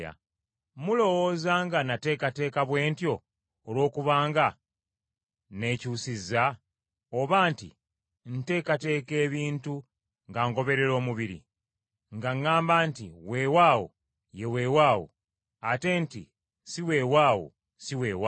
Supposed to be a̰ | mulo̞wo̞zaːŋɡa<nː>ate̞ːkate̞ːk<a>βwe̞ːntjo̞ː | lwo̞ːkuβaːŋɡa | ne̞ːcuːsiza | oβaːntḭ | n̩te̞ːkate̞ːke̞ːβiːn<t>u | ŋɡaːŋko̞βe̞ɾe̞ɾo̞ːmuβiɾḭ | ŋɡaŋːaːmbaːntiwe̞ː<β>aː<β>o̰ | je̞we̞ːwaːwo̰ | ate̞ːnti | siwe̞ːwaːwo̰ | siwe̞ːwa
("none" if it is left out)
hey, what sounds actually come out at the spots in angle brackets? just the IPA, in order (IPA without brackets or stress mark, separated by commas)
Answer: n, a, t, w, w